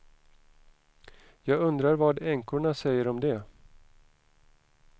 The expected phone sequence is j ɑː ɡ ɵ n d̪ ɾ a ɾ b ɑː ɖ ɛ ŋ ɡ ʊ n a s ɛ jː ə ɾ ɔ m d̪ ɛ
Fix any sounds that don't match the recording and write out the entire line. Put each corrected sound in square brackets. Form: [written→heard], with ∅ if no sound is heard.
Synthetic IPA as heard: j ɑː ɡ ɵ n d̪ ɾ a ɾ [b→v] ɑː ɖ ɛ ŋ [ɡ→k] ʊ [n→ɳ] a s ɛ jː ə ɾ ɔ m d̪ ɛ